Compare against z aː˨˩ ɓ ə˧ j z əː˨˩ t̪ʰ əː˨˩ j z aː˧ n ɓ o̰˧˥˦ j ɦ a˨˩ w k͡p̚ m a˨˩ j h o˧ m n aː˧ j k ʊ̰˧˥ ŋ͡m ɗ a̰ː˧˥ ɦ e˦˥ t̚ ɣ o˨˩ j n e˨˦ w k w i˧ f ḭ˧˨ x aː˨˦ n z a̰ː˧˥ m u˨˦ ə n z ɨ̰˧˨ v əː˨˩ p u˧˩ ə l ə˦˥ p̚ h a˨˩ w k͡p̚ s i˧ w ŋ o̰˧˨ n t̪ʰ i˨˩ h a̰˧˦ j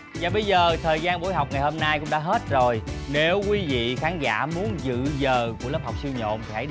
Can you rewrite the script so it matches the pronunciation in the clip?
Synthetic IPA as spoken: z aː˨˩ ɓ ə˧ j z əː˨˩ t̪ʰ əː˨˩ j z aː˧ n ɓ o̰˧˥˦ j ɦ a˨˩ w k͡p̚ ŋ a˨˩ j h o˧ m n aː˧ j k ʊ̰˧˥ ŋ͡m ɗ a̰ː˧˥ ɦ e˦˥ t̚ z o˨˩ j n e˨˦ w k w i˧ v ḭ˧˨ x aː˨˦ n z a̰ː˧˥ m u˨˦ ə n z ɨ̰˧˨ z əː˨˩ k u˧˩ ə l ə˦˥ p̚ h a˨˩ w k͡p̚ s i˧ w ɲ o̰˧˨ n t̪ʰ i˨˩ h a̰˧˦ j